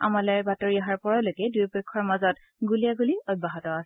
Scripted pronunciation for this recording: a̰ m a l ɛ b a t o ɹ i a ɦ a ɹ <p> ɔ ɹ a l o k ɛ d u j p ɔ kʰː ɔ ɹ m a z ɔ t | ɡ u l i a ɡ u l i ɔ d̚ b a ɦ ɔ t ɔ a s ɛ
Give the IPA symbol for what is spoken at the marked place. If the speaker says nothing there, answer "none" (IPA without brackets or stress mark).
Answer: p